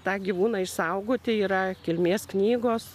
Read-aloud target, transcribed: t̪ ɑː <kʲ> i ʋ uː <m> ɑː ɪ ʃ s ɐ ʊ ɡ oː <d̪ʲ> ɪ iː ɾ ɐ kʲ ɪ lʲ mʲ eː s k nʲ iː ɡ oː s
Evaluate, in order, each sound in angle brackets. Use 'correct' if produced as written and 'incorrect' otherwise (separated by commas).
incorrect, incorrect, incorrect